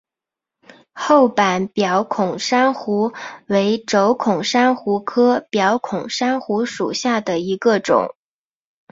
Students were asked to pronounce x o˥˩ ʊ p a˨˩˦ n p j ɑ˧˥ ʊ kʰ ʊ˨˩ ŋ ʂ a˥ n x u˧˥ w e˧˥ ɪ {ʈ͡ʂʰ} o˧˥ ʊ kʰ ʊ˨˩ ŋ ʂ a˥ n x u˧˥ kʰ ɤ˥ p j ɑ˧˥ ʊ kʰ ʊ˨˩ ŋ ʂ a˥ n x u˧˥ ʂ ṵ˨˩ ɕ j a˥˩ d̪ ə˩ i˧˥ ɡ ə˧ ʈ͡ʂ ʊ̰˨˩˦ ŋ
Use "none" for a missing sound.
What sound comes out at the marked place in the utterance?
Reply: ʈ͡ʂ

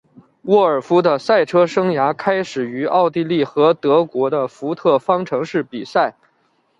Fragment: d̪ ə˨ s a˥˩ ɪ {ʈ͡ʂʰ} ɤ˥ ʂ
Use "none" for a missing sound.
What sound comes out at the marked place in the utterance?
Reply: ʈ͡ʂʰ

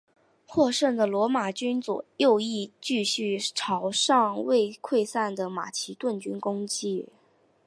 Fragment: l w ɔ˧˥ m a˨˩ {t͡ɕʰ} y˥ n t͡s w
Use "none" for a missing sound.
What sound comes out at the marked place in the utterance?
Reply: t͡ɕ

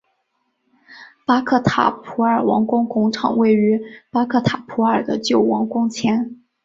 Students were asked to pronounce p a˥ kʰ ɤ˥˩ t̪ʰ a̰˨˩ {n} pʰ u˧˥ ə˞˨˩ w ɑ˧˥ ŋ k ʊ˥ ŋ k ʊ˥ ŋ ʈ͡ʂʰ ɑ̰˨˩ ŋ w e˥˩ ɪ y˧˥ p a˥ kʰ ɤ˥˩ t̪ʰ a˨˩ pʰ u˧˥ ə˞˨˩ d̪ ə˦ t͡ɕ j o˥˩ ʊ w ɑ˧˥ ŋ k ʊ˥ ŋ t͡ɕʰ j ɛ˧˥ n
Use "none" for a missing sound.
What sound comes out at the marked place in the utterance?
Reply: none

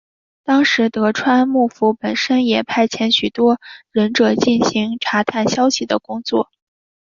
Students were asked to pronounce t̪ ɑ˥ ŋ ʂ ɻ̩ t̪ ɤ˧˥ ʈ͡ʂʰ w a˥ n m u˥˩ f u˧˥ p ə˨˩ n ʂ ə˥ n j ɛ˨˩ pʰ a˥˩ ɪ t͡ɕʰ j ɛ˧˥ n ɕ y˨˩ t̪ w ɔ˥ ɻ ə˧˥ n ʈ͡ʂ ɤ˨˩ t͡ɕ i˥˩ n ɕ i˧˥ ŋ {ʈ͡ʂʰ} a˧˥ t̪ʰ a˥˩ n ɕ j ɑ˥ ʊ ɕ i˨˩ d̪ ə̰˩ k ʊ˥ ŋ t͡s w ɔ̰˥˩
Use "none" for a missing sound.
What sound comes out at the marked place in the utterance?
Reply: ʈ͡ʂʰ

